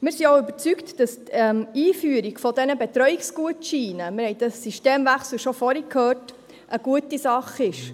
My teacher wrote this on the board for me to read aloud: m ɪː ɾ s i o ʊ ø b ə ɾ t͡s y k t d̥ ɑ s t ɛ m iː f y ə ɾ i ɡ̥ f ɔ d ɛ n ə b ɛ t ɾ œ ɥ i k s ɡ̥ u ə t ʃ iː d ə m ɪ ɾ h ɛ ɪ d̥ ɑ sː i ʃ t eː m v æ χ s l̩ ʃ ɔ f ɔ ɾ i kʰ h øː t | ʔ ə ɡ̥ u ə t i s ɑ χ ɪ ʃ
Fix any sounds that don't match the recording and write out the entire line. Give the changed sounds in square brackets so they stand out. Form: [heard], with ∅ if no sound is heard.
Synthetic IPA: m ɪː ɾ s i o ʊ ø b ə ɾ t͡s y k t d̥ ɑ s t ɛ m iː f y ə ɾ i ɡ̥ f ɔ d ɛ n ə b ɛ t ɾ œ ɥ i k s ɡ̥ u ə t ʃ iː [n] ə m ɪ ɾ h ɛ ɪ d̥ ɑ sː i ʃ t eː m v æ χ s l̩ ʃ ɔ f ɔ ɾ i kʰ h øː t | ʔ ə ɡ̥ u ə t i s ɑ χ ɪ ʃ